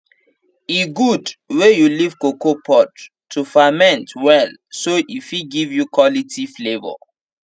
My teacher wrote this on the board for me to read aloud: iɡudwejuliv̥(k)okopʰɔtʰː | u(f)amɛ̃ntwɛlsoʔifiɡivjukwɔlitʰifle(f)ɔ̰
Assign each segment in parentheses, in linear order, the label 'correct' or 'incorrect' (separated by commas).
correct, correct, incorrect